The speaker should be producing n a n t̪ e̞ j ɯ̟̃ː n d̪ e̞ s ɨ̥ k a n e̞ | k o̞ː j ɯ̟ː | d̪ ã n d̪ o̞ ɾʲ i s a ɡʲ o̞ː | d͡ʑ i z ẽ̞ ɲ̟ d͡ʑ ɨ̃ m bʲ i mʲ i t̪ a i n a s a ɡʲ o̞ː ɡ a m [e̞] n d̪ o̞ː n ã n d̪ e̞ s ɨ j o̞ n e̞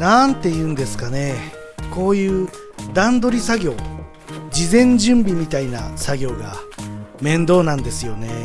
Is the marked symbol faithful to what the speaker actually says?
no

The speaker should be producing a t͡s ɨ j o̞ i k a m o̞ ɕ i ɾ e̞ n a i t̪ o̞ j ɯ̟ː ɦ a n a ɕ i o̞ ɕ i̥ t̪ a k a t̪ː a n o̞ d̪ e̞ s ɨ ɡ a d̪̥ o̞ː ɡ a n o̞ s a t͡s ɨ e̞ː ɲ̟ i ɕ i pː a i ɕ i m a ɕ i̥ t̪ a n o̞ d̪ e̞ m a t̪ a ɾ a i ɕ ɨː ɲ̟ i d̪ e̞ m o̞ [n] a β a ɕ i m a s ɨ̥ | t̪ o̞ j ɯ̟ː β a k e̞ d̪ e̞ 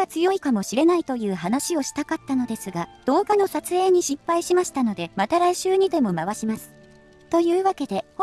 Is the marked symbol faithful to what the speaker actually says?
no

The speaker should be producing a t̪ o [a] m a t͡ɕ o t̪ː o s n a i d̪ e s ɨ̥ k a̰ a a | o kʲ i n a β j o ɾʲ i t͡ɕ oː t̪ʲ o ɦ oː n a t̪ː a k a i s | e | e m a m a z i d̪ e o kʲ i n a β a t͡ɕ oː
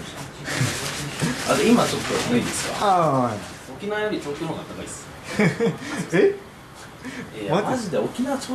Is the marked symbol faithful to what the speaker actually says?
no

